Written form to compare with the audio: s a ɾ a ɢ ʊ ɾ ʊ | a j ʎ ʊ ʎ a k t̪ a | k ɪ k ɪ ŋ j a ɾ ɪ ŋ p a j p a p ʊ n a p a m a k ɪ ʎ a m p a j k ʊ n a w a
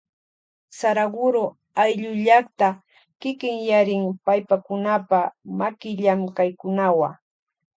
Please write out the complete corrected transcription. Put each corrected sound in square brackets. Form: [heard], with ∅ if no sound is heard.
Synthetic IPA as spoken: s a ɾ a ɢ ʊ ɾ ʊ | a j ʎ ʊ ʎ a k t̪ a | k ɪ k ɪ ŋ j a ɾ ɪ ŋ p a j p a [k] ʊ n a p a m a k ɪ ʎ a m [k] a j k ʊ n a w a